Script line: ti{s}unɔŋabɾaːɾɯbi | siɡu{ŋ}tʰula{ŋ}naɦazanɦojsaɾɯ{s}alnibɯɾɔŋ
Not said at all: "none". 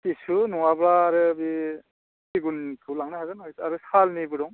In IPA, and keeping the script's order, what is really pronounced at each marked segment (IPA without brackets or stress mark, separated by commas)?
s, n, ŋ, s